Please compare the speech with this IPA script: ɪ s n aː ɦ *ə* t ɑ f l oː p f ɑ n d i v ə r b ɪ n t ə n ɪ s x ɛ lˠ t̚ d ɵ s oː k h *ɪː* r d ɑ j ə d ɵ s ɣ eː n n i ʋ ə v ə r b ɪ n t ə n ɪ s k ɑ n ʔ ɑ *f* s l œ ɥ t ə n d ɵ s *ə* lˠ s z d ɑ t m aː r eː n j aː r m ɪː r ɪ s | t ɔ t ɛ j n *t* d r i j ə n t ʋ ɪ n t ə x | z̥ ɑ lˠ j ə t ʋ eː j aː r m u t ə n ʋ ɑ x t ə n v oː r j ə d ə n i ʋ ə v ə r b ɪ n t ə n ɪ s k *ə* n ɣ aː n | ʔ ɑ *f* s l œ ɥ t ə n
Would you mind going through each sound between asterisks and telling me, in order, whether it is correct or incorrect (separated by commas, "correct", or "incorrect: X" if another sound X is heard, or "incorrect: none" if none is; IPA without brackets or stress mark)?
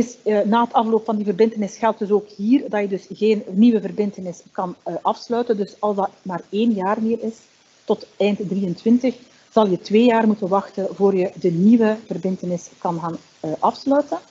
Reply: correct, incorrect: iː, correct, incorrect: ɑ, correct, incorrect: ɑ, correct